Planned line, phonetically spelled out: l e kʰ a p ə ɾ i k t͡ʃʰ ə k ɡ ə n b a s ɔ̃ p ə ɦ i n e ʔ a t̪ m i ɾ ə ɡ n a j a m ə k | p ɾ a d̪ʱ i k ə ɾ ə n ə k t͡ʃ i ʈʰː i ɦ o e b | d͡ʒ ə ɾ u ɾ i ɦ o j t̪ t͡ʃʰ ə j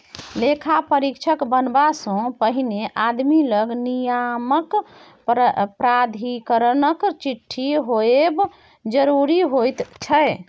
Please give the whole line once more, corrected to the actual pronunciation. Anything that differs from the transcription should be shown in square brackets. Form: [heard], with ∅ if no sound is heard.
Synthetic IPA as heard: l e kʰ a p ə ɾ i k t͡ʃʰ ə k [b] ə n b a s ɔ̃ p ə ɦ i n e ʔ a [d̪] m i [l] ə ɡ n [i] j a m ə k | p ɾ a d̪ʱ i k ə ɾ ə n ə k t͡ʃ i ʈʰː i ɦ o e b | d͡ʒ ə ɾ u ɾ i ɦ o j t̪ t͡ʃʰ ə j